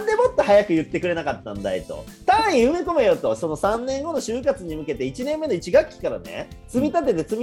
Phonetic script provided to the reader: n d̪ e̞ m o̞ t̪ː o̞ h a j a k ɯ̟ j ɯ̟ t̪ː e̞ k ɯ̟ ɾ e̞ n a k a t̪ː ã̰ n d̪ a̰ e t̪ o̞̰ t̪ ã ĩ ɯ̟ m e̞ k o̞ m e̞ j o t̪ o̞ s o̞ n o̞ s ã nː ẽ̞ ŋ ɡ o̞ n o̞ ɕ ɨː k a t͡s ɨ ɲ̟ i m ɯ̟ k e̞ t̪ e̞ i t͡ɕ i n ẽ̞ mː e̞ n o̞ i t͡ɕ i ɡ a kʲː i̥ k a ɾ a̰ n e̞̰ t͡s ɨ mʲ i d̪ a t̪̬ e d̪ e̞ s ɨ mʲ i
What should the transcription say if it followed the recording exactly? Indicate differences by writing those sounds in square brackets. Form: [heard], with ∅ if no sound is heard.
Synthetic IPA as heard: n d̪ e̞ m o̞ t̪ː o̞ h a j a k ɯ̟ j ɯ̟ t̪ː e̞ k ɯ̟ ɾ e̞ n a k a t̪ː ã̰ n d̪ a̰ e t̪ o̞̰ t̪ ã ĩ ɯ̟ m e̞ k o̞ m e̞ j o t̪ o̞ s o̞ n o̞ s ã nː ẽ̞ ŋ ɡ o̞ n o̞ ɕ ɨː k a t͡s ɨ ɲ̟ i m ɯ̟ k e̞ t̪ e̞ i t͡ɕ i n ẽ̞ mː e̞ n o̞ i t͡ɕ i ɡ a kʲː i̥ k a ɾ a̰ n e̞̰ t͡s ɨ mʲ i [t̪] a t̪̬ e [t̪] e̞ [t͡s] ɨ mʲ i